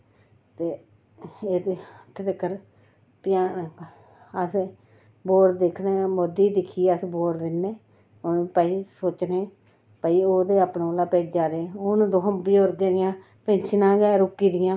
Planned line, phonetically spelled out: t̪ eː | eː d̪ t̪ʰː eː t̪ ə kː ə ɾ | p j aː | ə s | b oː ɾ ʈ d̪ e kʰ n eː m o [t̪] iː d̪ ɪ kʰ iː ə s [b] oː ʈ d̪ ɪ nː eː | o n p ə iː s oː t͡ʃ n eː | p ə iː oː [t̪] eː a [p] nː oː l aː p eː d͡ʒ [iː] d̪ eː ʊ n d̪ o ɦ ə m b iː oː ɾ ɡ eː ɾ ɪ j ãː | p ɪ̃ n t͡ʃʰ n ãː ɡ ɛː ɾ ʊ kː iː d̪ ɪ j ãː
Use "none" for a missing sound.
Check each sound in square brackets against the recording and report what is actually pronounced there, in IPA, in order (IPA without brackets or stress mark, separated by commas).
d̪, b, d̪, p, aː